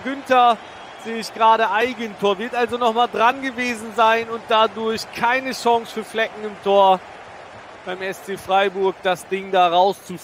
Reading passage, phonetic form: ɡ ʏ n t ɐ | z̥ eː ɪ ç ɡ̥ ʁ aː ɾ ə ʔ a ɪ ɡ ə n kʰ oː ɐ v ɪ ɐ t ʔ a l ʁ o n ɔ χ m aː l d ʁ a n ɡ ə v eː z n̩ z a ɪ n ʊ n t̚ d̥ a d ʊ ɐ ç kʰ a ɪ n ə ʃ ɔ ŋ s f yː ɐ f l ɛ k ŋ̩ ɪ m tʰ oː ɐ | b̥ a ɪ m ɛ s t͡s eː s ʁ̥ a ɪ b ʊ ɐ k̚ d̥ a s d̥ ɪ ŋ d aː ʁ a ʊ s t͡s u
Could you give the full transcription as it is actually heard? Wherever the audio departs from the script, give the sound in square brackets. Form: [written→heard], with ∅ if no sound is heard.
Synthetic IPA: ɡ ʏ n t ɐ | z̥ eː ɪ ç ɡ̥ ʁ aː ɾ ə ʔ a ɪ ɡ ə n [kʰ→tʰ] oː ɐ v ɪ ɐ t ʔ a l [ʁ→z] o n ɔ χ m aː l d ʁ a n ɡ ə v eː z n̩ z a ɪ n ʊ n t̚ d̥ a d ʊ ɐ ç kʰ a ɪ n ə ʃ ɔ ŋ s f yː ɐ f l ɛ k ŋ̩ ɪ m tʰ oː ɐ | b̥ a ɪ m ɛ s t͡s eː [s→f] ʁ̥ a ɪ b ʊ ɐ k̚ d̥ a s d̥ ɪ ŋ d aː ʁ a ʊ s t͡s u